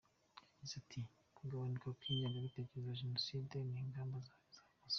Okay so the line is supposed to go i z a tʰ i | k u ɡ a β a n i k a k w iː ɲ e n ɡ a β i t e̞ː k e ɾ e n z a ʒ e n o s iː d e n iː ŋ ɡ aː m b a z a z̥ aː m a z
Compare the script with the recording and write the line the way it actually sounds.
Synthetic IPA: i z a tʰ i | k u ɡ a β a n i k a k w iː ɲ e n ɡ a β i t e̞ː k e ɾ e z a ʒ e n o s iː d e n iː ŋ ɡ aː m b a z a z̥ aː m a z